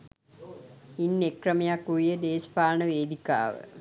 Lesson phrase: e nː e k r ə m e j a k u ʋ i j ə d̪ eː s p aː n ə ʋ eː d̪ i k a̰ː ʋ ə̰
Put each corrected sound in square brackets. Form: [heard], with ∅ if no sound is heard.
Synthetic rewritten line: [i] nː e k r ə m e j a k u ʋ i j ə d̪ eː s p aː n ə ʋ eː d̪ i k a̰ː ʋ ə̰